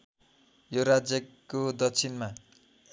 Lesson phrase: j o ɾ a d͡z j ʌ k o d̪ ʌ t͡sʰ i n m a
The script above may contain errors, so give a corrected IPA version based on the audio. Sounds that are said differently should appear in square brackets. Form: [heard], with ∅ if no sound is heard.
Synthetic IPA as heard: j o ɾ a d͡z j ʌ k o d̪ ʌ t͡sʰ i n m a